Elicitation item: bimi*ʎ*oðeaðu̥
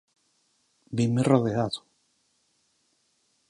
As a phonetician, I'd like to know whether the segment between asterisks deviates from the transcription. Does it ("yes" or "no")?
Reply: yes